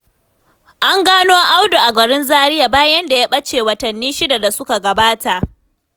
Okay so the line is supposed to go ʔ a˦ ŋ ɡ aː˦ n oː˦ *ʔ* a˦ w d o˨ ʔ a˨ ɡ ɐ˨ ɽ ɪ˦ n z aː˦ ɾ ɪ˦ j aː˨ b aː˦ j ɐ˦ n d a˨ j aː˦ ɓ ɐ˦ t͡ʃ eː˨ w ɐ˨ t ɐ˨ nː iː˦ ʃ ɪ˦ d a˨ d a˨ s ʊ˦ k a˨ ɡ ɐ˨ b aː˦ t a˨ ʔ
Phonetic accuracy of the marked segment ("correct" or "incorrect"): correct